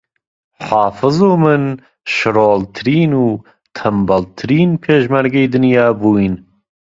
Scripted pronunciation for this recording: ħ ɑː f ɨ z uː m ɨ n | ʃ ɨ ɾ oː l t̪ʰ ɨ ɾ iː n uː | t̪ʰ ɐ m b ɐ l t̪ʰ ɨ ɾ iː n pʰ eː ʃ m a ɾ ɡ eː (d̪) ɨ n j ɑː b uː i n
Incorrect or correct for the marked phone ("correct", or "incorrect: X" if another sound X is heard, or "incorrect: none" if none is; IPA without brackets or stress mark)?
correct